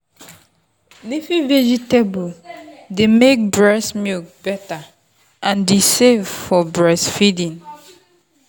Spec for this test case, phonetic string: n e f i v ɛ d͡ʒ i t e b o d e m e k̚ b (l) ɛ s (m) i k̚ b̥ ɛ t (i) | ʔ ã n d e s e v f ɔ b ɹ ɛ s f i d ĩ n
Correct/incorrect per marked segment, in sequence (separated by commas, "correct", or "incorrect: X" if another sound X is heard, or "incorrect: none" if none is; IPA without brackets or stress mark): incorrect: ɹ, correct, incorrect: a